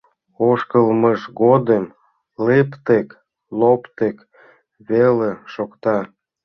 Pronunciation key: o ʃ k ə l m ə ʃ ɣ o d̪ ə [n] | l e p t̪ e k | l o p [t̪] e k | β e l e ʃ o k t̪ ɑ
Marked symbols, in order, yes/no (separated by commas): no, yes